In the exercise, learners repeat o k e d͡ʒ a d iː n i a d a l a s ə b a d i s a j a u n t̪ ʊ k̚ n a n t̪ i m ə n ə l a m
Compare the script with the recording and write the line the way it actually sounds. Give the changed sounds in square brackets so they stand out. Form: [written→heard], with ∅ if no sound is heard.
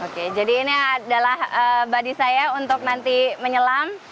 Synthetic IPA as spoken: o k e d͡ʒ a d iː n i a d a l a [s→h] ə b a d i s a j a u n t̪ ʊ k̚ n a n t̪ i m ə [n→ɲ] ə l a m